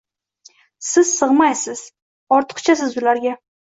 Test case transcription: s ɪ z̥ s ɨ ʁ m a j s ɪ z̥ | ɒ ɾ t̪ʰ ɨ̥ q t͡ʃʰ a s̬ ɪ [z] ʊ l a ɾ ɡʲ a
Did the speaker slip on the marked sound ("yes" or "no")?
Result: no